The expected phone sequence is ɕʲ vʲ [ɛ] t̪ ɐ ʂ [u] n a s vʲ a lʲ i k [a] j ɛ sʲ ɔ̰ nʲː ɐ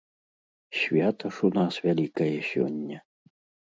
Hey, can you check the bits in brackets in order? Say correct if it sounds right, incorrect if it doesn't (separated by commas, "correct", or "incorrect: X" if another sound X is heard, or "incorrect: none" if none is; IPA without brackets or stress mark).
incorrect: a, correct, incorrect: ɐ